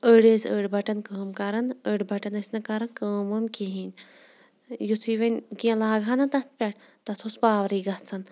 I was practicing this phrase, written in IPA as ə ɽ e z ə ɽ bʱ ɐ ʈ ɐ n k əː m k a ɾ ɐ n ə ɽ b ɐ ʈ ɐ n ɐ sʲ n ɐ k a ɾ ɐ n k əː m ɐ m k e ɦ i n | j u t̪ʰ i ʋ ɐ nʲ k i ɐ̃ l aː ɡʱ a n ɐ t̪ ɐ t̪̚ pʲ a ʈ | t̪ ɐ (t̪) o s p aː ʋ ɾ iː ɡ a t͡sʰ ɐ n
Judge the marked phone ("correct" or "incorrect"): incorrect